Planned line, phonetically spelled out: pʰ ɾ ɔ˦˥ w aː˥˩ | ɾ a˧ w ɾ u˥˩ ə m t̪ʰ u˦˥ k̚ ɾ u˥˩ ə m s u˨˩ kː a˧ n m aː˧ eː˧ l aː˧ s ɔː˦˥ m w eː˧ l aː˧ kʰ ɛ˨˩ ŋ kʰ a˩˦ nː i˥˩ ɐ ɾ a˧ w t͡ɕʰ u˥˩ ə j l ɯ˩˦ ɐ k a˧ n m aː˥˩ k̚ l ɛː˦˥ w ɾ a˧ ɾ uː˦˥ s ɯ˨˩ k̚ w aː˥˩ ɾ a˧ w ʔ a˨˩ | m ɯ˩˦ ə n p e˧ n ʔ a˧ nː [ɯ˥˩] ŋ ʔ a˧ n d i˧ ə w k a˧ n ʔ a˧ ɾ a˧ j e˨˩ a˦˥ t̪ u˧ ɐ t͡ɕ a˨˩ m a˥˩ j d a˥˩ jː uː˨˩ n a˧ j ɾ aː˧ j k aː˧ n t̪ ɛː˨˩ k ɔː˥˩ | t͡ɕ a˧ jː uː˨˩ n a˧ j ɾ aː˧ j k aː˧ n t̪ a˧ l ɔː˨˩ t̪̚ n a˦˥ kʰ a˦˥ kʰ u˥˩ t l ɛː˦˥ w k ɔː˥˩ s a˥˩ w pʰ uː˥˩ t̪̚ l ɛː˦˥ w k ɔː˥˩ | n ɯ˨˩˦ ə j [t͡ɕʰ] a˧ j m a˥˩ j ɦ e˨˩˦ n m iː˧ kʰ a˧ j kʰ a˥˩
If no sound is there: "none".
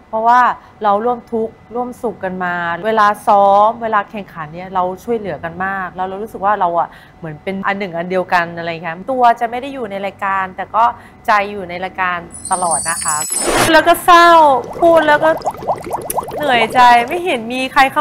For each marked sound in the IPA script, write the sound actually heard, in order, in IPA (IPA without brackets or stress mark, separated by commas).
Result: ɯ˨˩, t͡ɕ